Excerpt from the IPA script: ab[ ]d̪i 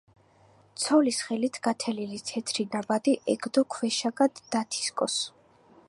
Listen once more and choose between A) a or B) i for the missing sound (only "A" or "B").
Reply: A